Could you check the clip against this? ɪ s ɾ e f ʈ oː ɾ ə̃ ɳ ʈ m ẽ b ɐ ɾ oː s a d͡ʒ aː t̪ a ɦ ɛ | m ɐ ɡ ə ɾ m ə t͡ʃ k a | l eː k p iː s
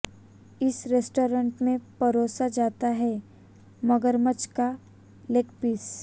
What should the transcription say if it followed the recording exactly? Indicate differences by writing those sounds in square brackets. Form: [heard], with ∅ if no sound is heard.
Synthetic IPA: ɪ s ɾ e [s] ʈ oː ɾ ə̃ ɳ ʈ m ẽ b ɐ ɾ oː s a d͡ʒ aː t̪ a ɦ ɛ | m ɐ ɡ ə ɾ m ə t͡ʃ k a | l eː k p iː s